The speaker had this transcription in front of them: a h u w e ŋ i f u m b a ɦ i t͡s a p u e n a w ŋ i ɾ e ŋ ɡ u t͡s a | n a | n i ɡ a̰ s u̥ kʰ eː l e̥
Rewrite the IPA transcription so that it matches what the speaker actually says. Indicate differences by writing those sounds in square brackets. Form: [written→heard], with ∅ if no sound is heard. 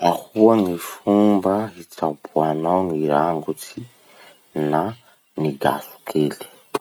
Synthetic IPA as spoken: a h u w [e→a] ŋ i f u m b a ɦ i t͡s a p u [e→a] n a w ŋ i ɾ [e→a] ŋ ɡ u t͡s [a→i] | n a | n i ɡ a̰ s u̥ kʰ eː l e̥